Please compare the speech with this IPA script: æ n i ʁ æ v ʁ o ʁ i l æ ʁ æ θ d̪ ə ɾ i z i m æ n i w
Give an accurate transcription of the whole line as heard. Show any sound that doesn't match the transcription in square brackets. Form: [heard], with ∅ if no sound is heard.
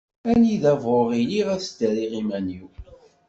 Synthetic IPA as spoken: æ n i [ð] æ v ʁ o ʁ i l [i] ʁ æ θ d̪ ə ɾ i [ʁ] i m æ n i w